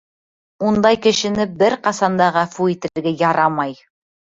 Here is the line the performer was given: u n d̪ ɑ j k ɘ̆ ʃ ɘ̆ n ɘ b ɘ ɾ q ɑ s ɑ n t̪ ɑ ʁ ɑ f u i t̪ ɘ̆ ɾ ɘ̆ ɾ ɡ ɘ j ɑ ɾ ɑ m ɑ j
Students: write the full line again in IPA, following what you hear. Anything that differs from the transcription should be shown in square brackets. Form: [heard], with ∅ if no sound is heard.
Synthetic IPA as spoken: u n d̪ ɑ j k ɘ̆ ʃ ɘ̆ n ɘ b ɘ ɾ q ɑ s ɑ n [d̪] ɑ ʁ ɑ f u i t̪ ɘ̆ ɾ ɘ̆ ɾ ɡ ɘ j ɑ ɾ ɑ m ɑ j